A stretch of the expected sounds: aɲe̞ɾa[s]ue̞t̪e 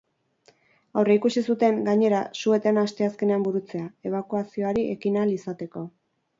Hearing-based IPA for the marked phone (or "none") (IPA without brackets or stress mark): s